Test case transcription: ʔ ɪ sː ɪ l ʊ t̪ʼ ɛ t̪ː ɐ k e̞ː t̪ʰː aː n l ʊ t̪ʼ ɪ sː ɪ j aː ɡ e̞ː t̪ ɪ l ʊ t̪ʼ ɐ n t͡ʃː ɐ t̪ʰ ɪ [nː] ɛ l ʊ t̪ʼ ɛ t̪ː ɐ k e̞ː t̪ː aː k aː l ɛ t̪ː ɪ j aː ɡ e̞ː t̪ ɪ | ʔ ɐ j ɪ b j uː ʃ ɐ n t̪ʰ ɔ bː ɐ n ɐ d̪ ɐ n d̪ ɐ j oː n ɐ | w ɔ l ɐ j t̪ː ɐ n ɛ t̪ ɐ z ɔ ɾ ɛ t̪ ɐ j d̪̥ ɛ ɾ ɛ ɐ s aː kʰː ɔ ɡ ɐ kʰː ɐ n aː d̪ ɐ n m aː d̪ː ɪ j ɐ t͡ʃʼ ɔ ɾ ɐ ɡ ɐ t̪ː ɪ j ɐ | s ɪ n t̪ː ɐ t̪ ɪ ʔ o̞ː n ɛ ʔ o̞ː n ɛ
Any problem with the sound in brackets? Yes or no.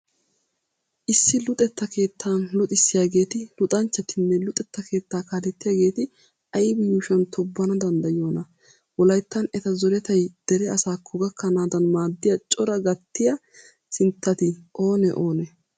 no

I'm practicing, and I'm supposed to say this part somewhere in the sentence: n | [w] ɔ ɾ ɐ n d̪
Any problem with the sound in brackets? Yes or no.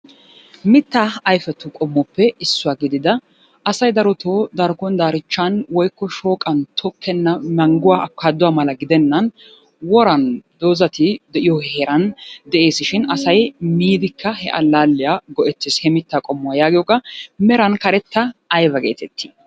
no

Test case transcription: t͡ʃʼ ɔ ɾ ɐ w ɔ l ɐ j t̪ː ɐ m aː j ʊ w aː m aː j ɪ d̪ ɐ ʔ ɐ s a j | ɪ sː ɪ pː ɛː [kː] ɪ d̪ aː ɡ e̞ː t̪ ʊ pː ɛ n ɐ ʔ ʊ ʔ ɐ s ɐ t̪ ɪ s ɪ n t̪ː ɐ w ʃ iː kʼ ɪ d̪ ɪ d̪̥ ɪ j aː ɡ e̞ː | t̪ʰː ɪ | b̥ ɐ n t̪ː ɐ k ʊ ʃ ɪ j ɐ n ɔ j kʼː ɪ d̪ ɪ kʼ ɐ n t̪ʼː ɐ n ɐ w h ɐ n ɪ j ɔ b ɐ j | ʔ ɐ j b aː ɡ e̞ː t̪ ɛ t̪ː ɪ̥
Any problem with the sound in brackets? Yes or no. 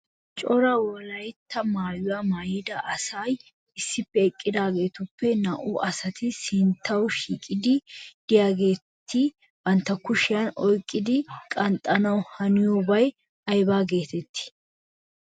yes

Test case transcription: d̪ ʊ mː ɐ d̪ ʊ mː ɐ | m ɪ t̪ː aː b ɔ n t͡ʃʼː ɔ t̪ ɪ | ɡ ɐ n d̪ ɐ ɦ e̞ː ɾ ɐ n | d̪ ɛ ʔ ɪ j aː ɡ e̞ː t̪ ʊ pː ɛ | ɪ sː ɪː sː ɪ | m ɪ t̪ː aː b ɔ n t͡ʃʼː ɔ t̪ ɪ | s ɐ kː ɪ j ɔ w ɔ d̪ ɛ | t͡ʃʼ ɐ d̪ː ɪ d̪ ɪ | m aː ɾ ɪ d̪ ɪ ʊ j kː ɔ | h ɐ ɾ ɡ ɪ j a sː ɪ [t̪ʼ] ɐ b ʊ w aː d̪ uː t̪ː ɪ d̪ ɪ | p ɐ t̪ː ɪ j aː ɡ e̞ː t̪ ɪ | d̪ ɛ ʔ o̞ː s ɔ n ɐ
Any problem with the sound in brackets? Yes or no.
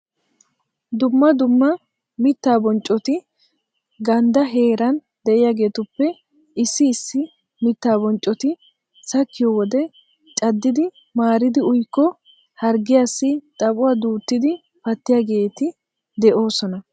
no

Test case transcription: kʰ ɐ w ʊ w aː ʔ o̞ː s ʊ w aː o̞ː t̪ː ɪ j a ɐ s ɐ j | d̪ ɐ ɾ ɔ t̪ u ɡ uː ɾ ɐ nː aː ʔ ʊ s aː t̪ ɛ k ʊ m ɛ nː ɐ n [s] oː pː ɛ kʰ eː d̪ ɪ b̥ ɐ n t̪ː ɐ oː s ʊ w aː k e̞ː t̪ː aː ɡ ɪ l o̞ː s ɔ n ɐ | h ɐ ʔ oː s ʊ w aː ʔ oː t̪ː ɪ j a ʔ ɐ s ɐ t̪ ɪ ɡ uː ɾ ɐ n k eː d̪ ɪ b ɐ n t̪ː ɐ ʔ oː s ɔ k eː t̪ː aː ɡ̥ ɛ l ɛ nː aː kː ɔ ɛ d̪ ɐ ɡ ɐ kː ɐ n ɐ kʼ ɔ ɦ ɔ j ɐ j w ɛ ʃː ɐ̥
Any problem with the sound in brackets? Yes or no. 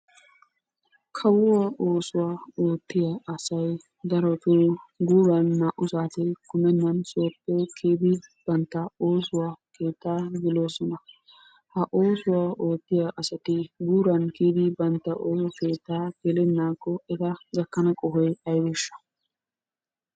no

